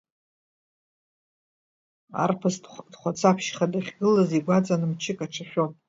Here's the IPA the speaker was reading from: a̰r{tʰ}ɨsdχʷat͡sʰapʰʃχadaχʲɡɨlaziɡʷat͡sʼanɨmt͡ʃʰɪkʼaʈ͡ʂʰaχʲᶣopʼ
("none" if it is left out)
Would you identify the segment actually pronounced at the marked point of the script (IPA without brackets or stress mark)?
pʰ